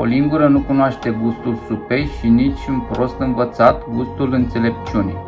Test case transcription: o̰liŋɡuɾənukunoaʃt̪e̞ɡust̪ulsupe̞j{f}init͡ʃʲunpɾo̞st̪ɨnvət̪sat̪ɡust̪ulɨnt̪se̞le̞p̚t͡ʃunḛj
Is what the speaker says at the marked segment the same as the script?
no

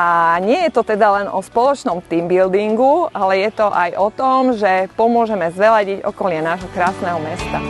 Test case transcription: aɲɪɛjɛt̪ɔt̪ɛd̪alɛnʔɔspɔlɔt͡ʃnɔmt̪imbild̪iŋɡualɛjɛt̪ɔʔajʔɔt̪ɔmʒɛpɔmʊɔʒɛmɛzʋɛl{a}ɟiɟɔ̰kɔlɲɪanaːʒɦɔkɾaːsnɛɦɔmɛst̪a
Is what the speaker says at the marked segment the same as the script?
yes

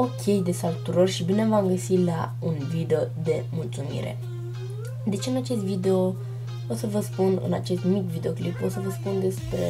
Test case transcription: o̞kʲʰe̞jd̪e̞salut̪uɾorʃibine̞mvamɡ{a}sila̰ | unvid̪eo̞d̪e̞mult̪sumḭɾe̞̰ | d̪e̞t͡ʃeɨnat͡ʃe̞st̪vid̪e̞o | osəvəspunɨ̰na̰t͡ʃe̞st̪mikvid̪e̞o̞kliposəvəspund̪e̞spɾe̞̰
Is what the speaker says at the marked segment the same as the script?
no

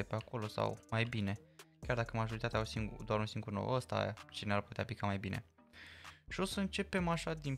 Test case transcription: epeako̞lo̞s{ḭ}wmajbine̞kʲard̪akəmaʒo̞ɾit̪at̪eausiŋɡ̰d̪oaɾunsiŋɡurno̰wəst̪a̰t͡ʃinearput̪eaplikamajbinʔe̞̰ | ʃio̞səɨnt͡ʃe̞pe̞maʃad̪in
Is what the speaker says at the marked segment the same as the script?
no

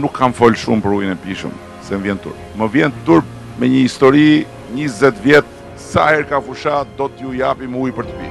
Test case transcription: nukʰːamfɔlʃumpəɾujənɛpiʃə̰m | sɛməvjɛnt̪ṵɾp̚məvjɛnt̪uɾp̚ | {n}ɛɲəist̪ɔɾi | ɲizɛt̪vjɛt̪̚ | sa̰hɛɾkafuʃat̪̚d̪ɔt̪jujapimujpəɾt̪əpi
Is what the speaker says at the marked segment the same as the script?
no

